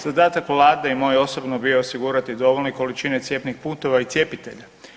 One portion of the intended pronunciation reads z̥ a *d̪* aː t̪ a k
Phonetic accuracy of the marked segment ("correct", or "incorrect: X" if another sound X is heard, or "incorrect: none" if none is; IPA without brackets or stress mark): correct